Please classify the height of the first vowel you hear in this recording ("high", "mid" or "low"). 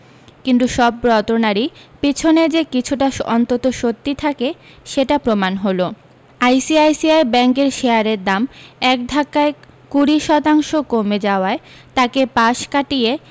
high